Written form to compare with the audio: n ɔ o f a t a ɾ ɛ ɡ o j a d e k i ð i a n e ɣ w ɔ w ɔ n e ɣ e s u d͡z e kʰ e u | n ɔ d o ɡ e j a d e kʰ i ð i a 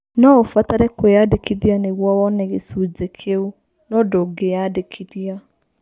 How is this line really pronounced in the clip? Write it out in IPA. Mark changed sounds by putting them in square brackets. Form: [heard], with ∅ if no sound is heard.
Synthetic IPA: n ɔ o f a t a ɾ ɛ [k] o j a d e k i ð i a n e ɣ w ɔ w ɔ n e ɣ e s u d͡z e kʰ e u | n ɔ d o ɡ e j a d e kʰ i ð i a

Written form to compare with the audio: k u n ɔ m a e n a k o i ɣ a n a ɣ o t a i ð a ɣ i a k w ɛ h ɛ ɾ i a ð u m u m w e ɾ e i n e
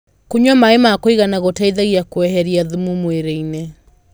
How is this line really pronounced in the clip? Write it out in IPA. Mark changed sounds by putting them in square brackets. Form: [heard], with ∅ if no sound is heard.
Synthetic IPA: k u [ɲ] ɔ m a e [m] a k o i ɣ a n a ɣ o t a i ð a ɣ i a k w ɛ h ɛ ɾ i a ð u m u m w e ɾ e i n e

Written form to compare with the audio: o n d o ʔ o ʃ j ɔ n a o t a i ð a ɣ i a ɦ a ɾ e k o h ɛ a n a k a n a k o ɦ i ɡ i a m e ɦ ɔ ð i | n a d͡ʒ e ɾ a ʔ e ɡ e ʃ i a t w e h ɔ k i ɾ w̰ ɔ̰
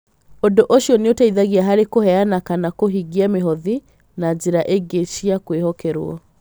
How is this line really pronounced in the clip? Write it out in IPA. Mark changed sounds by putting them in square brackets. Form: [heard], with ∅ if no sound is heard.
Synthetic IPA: o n d o ʔ o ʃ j ɔ n [e] o t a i ð a ɣ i a ɦ a ɾ e k o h ɛ a n a k a n a k o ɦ i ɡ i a m e ɦ ɔ ð i | n a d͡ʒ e ɾ a ʔ e ɡ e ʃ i a [k] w e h ɔ k [ɛ] ɾ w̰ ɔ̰

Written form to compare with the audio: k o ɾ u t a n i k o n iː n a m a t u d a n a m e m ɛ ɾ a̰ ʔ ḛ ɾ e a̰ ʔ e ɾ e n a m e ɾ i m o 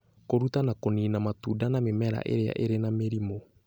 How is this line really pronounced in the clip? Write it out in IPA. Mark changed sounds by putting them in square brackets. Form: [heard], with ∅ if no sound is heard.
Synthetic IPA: k o ɾ u t a n [a] k o n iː n a m a t u d a n a m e m ɛ ɾ a̰ ʔ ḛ ɾ e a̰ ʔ e ɾ e n a m e ɾ i m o

